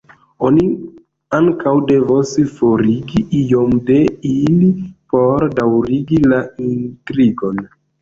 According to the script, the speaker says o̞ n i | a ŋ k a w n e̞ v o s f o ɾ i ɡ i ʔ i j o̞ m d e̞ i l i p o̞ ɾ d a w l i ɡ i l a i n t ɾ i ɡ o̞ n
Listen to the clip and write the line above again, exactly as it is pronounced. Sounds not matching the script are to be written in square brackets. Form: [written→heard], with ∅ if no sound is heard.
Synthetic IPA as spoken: o̞ n i | a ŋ k a w [n→d] e̞ v o s f o ɾ i ɡ i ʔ i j o̞ m d e̞ i l i p o̞ ɾ d a w [l→ɾ] i ɡ i l a i n t ɾ i ɡ o̞ n